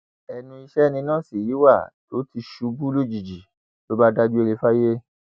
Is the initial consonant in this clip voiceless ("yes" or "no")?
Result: no